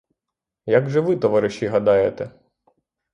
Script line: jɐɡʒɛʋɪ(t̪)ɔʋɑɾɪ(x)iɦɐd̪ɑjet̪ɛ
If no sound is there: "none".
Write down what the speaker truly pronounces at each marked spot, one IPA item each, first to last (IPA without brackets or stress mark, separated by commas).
t̪, ʃ